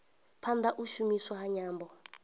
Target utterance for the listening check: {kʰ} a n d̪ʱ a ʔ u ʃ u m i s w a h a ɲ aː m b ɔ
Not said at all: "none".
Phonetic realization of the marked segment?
pʰ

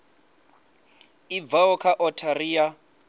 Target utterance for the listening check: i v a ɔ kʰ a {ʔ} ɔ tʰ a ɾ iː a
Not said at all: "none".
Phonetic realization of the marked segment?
ʔ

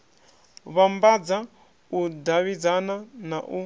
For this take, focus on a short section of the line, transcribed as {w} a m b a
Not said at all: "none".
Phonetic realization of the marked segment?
β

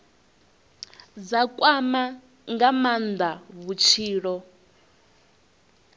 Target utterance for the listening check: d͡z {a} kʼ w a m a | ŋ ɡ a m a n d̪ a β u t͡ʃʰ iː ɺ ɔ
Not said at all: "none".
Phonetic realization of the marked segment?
a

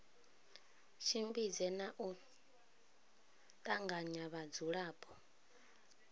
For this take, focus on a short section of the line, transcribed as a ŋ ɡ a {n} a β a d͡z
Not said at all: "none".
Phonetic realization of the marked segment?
ɲ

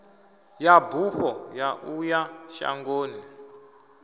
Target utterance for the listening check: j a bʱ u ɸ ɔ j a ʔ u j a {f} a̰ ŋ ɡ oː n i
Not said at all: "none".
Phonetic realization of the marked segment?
ʃ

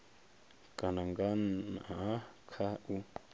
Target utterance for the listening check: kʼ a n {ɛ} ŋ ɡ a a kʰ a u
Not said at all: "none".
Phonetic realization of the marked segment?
a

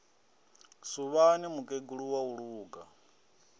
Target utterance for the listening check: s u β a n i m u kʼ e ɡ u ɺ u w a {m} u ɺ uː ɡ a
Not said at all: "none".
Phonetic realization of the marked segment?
none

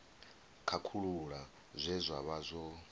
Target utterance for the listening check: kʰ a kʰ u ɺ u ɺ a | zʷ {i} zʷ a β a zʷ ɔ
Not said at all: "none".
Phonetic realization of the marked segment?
ɛ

